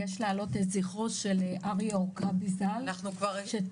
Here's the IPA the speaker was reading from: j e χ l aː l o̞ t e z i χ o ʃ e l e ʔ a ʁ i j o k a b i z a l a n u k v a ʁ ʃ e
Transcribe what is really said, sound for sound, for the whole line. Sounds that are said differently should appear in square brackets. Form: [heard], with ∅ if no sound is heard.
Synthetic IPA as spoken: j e [ʃ] l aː l o̞ t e z i χ o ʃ e l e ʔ a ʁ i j o k a b i z a l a n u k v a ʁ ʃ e